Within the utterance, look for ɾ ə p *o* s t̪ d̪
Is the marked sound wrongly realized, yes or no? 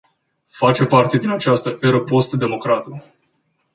no